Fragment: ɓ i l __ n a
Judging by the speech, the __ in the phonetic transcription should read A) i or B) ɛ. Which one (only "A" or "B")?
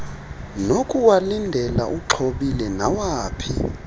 B